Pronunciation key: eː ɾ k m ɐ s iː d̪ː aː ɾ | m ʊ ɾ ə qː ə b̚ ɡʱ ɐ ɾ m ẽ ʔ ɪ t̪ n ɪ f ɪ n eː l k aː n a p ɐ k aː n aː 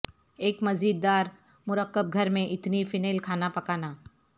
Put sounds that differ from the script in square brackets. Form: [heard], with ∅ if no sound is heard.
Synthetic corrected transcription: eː [∅] k m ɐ [z] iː d̪ː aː ɾ | m ʊ ɾ ə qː ə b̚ ɡʱ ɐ ɾ m ẽ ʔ ɪ t̪ n [i] f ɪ n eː l [kʰ] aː n a p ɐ k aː n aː